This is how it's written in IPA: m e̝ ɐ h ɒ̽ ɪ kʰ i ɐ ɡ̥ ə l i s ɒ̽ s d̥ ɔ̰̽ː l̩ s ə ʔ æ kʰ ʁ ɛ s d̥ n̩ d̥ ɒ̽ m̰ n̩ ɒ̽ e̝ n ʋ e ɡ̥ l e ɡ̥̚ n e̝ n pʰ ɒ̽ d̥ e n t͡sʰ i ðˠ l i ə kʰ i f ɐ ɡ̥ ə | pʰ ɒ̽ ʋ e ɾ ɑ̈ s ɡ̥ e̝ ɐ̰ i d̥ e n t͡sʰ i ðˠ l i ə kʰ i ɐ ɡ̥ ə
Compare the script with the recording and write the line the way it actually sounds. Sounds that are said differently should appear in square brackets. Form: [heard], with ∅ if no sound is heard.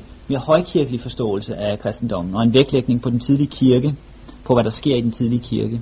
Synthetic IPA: m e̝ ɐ h ɒ̽ ɪ kʰ i ɐ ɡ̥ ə l i [f] ɒ̽ s d̥ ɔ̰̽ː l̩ s ə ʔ æ kʰ ʁ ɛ s d̥ n̩ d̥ ɒ̽ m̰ n̩ ɒ̽ e̝ n ʋ e ɡ̥ l e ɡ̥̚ n e̝ [ŋ] pʰ ɒ̽ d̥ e n t͡sʰ i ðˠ l i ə kʰ i [∅] ɐ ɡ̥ ə | pʰ ɒ̽ ʋ [æ] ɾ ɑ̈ s ɡ̥ e̝ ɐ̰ i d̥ e n t͡sʰ i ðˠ l i ə kʰ i ɐ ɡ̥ ə